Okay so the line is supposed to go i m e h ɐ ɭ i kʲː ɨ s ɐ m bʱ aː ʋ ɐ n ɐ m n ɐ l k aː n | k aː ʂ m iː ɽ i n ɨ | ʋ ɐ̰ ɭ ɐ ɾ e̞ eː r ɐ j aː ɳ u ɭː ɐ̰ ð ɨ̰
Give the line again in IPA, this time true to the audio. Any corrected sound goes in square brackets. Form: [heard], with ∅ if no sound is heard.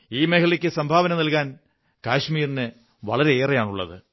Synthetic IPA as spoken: [iː] m e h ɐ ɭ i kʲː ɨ s ɐ m bʱ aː ʋ ɐ n ɐ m n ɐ l k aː n | k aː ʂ m iː [r] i n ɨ | ʋ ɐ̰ ɭ ɐ ɾ e̞ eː r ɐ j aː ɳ u ɭː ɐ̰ ð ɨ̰